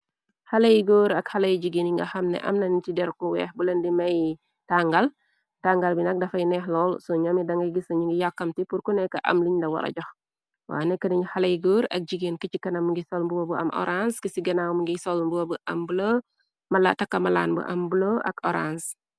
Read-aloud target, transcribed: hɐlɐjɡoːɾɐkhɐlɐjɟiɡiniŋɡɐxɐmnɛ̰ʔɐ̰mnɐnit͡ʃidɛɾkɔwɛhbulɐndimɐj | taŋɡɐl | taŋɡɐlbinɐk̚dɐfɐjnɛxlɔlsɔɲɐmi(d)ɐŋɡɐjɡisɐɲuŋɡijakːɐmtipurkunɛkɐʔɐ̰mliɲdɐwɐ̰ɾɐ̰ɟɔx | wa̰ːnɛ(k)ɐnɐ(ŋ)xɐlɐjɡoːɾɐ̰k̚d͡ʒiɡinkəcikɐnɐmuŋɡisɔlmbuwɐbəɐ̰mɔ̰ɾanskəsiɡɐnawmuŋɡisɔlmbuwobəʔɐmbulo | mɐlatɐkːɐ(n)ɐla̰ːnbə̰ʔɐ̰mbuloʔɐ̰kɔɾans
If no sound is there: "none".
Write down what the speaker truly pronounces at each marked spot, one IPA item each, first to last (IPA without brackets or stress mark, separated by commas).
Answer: d, k, ɲ, m